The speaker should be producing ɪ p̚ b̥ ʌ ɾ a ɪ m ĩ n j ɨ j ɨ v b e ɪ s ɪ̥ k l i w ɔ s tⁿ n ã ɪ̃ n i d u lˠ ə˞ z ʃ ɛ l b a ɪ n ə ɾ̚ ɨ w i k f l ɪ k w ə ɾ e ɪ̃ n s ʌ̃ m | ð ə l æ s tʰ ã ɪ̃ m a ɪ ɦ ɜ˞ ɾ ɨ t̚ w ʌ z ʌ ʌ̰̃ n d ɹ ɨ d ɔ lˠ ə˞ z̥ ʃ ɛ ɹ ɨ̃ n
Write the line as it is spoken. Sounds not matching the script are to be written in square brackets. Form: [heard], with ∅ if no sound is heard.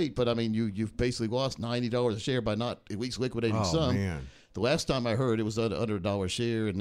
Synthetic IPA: ɪ [t̚] b̥ ʌ ɾ a ɪ m ĩ n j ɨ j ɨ v b e ɪ s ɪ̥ k l i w ɔ s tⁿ n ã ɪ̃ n i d [ɔ] lˠ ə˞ z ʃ ɛ [ɹ] b a ɪ n ə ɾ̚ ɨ w i k [s] l ɪ k w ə ɾ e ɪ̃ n s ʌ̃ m | ð ə l æ s tʰ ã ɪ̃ m a ɪ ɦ ɜ˞ ɾ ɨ t̚ w ʌ z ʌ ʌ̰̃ n d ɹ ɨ d ɔ lˠ ə˞ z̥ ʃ ɛ ɹ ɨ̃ n